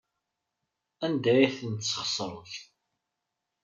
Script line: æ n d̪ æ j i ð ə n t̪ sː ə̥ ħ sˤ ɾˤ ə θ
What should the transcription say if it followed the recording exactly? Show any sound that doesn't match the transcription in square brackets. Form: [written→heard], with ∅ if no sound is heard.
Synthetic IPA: æ n d̪ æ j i [ð→θ] ə n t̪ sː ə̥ [ħ→χ] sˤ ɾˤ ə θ